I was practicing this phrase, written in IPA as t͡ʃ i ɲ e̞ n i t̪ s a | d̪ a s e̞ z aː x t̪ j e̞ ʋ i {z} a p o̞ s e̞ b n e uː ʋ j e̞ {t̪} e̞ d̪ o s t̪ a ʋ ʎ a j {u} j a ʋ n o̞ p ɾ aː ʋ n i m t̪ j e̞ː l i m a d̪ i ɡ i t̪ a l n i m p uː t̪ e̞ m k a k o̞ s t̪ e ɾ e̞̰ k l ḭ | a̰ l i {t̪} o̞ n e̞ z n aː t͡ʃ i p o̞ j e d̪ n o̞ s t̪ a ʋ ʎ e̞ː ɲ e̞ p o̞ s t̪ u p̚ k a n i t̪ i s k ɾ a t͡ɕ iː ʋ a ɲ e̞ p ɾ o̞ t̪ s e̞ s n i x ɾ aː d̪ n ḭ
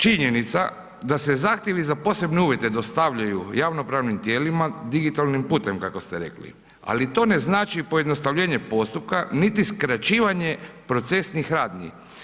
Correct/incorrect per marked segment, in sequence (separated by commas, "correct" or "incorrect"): correct, correct, correct, correct